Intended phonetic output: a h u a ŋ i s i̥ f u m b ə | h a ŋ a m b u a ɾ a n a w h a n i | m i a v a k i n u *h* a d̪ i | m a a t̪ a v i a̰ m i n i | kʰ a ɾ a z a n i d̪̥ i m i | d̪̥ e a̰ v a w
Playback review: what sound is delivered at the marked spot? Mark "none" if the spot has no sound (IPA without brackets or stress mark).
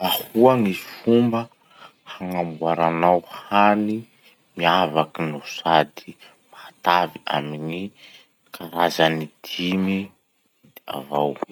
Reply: s